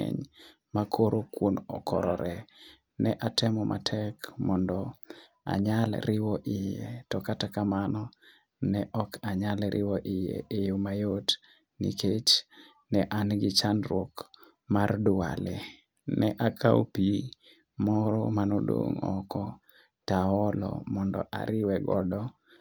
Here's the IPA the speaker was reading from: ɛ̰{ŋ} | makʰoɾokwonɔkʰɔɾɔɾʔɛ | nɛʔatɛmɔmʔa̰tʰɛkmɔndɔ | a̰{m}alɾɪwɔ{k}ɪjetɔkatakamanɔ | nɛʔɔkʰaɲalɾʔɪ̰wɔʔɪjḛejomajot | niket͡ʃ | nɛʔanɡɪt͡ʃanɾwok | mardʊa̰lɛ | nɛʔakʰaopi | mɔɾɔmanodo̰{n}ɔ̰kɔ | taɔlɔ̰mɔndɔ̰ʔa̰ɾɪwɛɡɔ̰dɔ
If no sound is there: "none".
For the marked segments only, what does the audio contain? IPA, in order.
ɲ, ɲ, ʔ, ŋ

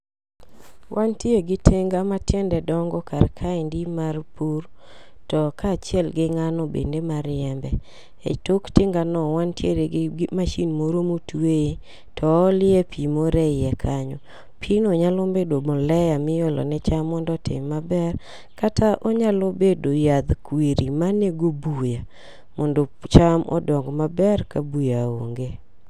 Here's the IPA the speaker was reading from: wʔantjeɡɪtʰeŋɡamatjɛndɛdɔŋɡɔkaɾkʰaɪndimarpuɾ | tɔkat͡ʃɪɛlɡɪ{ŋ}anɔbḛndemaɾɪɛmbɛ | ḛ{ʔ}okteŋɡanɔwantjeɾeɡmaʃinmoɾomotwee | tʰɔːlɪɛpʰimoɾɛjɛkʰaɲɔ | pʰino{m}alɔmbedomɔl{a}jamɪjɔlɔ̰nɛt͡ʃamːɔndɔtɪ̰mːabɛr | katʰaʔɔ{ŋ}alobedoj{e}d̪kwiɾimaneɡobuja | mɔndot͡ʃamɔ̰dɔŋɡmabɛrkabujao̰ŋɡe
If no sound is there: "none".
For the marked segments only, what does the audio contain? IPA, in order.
ŋ, t, ɲ, ɛ, ɲ, a

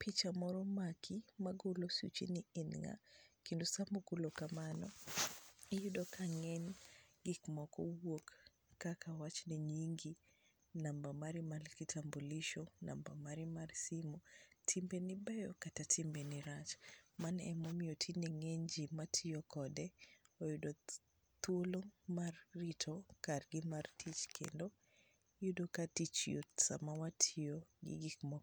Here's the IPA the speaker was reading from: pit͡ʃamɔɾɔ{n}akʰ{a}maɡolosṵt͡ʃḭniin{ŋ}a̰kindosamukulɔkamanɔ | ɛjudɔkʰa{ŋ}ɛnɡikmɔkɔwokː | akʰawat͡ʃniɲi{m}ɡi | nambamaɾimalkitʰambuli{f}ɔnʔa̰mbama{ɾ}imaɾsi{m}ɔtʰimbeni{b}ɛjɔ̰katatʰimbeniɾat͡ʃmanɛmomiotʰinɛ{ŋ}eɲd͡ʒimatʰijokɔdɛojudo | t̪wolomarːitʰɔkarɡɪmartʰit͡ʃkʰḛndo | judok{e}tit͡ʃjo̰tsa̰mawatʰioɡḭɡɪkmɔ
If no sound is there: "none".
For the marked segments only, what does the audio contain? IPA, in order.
m, i, ŋ, ŋ, ŋ, ʃ, ɾ, m, b, ŋ, a

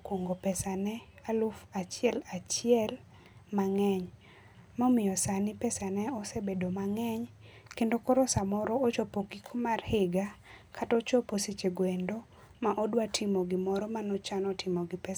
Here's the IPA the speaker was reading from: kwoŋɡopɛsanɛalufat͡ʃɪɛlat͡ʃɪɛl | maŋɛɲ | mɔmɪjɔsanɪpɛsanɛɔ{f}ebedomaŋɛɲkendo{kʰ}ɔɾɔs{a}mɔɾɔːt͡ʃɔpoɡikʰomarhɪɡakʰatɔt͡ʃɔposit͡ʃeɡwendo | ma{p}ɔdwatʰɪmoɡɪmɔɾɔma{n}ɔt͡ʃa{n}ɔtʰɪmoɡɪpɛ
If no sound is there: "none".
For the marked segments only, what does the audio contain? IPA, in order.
s, k, a, ʔ, n, n

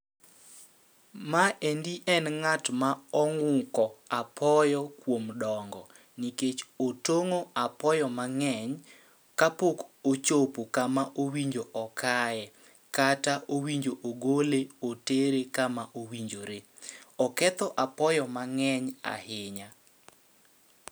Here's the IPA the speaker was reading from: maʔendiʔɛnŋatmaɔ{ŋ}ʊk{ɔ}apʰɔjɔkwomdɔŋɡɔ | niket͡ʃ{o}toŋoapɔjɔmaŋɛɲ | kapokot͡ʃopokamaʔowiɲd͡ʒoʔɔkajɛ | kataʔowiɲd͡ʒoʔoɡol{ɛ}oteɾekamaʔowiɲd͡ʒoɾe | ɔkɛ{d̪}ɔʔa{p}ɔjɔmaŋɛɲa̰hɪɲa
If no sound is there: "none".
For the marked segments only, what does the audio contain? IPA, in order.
ŋ, ɔ, o, e, t̪, p

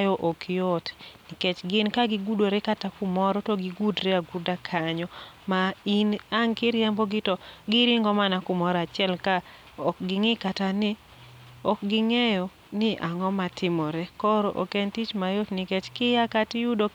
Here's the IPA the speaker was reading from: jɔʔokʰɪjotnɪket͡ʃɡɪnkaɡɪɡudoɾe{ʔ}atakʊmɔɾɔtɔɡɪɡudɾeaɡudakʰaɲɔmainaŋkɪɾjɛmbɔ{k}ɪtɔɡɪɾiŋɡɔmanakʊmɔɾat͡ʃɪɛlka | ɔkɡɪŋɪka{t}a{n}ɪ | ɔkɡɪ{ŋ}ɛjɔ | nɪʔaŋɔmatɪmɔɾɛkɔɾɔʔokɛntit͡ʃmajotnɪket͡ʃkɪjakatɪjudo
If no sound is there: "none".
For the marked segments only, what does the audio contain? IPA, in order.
k, ɡ, t, n, ŋ

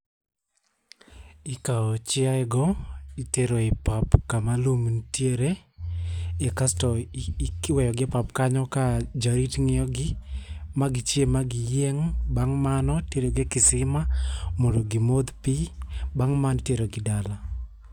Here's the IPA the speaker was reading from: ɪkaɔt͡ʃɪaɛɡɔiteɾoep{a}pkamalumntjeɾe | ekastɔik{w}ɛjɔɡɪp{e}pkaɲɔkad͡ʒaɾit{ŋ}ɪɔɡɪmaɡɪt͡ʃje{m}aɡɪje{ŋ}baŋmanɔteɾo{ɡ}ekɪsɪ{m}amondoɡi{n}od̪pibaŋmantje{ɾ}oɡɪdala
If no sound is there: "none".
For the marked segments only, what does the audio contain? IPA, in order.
a, w, a, ŋ, m, ŋ, ɡ, m, m, ɾ

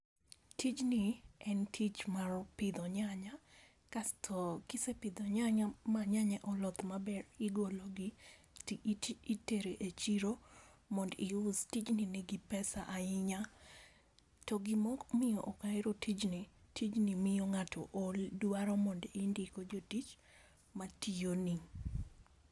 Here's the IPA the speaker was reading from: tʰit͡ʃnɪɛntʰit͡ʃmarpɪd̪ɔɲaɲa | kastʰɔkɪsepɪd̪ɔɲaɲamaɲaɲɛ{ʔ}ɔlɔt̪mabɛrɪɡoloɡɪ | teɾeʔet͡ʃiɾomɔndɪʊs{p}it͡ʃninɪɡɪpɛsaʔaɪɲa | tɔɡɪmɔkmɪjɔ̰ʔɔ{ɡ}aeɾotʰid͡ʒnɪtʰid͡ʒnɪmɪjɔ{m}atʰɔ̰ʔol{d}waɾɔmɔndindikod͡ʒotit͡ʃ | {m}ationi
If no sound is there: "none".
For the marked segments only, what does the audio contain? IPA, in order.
ʔ, t, k, ŋ, d, m

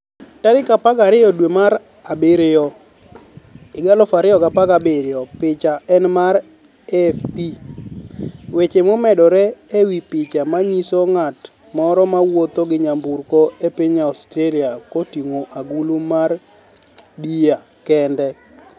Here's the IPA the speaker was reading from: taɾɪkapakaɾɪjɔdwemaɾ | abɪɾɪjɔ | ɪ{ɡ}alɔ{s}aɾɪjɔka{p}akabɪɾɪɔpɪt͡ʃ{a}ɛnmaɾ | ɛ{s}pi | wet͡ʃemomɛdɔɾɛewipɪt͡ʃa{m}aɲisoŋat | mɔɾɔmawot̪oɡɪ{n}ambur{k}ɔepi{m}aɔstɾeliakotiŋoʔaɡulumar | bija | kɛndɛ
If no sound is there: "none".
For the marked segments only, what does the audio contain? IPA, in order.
ɡ, f, p, a, f, m, ɲ, k, ɲ

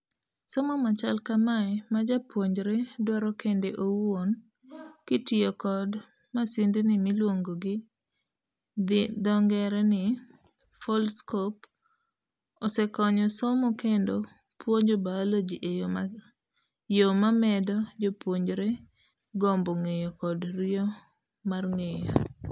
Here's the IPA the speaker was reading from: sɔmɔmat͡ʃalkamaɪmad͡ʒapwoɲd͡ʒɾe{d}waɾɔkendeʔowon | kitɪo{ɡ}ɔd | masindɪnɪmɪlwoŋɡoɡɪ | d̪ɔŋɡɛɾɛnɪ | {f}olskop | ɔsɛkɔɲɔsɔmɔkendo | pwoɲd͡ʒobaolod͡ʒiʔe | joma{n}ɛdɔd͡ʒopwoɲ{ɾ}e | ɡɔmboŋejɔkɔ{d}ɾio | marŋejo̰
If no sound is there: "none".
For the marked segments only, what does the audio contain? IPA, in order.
d, k, f, m, ɾ, d

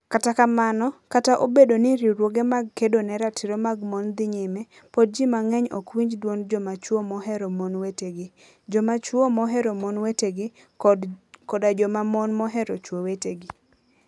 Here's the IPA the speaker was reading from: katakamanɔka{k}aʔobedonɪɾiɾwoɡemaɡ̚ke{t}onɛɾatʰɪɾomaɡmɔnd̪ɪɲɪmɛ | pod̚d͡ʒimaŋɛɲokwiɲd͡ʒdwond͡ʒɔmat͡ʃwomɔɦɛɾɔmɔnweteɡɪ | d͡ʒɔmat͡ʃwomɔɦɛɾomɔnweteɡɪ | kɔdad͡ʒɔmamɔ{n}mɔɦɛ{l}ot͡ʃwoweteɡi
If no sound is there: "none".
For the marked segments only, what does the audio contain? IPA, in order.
t, d, n, ɾ

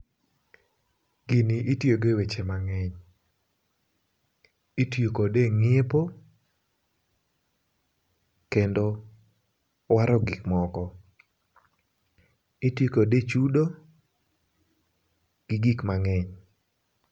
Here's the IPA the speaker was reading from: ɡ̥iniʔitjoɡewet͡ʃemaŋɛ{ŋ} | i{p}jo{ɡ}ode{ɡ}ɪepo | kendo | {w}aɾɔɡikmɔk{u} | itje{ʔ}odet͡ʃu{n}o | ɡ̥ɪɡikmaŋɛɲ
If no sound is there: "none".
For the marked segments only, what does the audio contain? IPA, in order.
ɲ, t, k, ŋ, w, ɔ, k, d

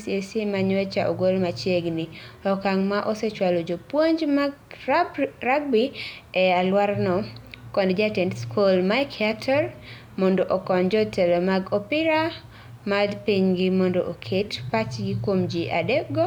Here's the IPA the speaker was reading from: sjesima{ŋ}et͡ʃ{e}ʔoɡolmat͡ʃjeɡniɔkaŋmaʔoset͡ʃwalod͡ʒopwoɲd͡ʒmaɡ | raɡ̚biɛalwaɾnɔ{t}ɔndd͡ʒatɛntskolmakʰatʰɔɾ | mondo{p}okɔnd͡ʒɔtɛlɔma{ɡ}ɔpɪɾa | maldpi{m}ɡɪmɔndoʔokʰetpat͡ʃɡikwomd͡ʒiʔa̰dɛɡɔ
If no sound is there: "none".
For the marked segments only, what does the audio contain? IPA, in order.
ɲ, a, k, ʔ, ɡ, ɲ

